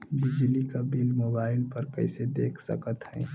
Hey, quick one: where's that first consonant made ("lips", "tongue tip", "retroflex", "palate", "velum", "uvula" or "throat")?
lips